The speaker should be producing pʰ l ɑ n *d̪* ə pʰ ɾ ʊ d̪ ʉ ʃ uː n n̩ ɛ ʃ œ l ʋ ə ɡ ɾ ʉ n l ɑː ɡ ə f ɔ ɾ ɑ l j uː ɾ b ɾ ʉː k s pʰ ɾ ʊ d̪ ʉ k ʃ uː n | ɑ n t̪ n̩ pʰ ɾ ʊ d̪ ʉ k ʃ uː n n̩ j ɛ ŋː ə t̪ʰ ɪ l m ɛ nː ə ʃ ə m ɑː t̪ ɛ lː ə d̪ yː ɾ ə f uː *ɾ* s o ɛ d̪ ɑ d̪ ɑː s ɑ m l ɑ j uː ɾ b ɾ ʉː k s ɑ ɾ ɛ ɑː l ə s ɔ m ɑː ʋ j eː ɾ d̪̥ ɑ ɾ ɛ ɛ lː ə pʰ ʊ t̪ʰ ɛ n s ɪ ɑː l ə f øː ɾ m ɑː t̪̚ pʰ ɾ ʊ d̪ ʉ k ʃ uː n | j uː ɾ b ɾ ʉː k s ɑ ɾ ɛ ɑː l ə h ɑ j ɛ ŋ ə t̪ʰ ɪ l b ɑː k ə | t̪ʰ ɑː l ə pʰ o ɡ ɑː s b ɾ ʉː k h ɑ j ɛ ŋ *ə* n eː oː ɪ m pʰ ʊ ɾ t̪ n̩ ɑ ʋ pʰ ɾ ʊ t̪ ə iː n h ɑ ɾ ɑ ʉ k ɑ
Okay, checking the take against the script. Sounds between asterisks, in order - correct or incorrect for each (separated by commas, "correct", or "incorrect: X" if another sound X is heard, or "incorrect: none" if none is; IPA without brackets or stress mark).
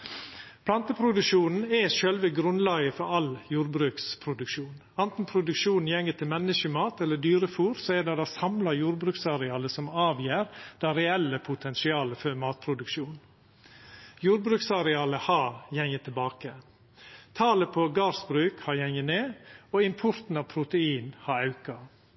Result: incorrect: t̪, correct, correct